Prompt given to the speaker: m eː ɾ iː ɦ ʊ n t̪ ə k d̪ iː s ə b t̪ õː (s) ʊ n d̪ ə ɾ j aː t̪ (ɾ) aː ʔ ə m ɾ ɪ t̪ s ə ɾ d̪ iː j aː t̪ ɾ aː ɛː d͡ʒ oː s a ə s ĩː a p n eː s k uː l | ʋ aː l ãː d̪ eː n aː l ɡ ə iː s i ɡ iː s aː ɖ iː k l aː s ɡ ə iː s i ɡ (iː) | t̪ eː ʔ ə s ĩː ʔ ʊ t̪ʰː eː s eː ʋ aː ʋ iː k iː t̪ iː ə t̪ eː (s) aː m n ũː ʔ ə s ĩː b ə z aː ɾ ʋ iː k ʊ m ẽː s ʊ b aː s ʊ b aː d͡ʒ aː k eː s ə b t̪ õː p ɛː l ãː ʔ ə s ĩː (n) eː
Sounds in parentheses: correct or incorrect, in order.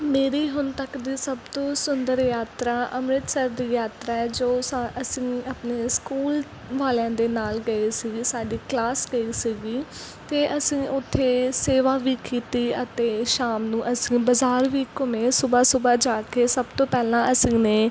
correct, correct, correct, incorrect, correct

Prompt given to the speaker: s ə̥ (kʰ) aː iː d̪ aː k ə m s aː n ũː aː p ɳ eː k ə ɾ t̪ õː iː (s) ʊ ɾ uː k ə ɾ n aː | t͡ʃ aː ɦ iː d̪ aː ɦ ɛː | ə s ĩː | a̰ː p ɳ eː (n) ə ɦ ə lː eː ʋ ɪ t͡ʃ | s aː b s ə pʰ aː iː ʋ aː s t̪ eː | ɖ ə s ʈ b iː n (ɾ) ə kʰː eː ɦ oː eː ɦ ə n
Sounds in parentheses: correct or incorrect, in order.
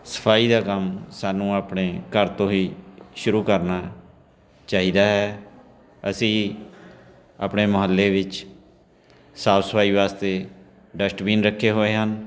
incorrect, incorrect, incorrect, correct

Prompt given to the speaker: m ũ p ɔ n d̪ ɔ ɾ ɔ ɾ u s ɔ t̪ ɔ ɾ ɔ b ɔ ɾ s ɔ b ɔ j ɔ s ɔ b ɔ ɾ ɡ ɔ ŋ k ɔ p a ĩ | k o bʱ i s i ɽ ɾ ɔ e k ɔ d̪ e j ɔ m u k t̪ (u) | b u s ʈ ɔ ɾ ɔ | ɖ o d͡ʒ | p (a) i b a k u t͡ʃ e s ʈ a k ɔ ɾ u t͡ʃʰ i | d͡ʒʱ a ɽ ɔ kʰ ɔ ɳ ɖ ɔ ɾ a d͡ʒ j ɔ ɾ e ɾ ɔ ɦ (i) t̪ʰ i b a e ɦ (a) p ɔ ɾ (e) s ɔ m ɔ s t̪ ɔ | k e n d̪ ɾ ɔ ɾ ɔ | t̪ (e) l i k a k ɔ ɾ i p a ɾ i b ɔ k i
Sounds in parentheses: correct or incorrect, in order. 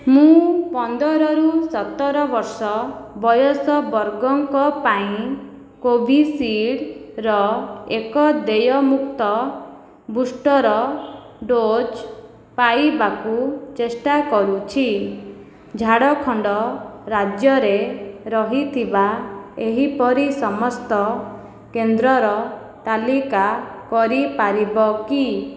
incorrect, correct, correct, incorrect, incorrect, incorrect

